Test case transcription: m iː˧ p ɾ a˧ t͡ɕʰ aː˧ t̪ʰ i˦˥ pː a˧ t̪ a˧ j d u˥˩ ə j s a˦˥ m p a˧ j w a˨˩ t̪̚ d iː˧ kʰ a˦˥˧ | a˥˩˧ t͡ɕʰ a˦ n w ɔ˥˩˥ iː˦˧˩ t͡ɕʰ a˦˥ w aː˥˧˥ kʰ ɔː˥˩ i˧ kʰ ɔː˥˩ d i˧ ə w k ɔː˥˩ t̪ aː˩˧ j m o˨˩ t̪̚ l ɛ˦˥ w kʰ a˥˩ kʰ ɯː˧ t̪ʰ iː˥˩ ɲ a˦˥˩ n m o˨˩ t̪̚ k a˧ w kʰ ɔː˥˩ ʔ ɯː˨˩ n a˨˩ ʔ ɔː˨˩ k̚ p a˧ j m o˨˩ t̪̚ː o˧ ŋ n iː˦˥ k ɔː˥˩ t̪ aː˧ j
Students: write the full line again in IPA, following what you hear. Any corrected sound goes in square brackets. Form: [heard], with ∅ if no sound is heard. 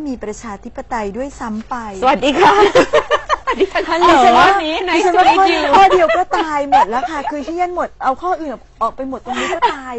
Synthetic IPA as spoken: m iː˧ p ɾ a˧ t͡ɕʰ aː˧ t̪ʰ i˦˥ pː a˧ t̪ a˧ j d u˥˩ ə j s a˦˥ m p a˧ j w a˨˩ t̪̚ d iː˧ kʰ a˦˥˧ | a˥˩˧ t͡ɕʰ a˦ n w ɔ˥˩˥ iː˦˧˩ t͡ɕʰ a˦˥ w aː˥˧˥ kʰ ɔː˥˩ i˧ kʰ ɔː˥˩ d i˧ ə w k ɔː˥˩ t̪ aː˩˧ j m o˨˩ t̪̚ l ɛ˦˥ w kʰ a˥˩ kʰ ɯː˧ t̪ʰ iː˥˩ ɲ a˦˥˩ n m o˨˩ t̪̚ [ʔ] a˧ w kʰ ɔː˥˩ ʔ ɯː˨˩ n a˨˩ ʔ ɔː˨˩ k̚ p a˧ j m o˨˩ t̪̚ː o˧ ŋ n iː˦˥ k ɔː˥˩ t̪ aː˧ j